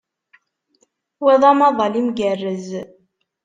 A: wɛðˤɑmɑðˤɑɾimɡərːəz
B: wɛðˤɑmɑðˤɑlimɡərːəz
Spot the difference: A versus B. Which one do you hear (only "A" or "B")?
B